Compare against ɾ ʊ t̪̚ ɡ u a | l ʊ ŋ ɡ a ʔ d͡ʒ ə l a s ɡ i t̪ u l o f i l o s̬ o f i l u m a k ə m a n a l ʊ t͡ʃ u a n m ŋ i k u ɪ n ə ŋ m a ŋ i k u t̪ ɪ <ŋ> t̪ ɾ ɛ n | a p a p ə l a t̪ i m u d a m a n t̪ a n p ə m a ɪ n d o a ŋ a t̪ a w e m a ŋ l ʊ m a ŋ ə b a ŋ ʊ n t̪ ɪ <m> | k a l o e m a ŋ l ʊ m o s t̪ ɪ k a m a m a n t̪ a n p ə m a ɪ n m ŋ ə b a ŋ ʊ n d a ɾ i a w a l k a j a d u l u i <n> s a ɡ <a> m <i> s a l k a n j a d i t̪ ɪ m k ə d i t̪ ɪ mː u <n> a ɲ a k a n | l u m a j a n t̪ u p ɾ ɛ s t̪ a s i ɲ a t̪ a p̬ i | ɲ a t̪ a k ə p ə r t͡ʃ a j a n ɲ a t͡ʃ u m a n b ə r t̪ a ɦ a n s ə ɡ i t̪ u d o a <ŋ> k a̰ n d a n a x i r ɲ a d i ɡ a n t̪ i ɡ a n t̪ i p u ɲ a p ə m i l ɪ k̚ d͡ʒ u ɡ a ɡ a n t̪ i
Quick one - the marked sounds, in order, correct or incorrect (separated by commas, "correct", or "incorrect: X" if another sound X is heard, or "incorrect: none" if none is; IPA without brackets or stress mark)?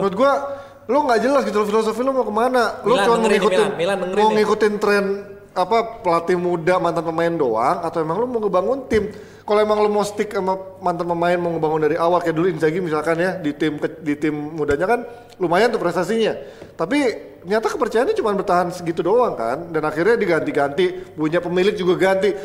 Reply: incorrect: n, correct, correct, incorrect: i, correct, incorrect: d, correct